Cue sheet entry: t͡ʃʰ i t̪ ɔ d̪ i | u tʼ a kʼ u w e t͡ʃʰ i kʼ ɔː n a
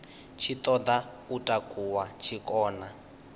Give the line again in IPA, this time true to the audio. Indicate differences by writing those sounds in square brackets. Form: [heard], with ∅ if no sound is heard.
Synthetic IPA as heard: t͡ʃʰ i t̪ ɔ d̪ [a] | u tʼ a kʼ u w [a] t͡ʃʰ i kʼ ɔː n a